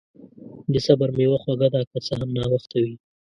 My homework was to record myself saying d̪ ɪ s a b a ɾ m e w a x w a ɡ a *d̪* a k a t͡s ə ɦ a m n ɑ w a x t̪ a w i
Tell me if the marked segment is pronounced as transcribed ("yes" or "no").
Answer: yes